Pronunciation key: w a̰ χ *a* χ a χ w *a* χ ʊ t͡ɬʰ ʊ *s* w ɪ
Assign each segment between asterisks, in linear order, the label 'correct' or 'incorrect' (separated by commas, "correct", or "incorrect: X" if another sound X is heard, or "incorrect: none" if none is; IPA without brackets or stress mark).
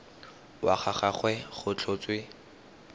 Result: correct, incorrect: ɛ, incorrect: t͡s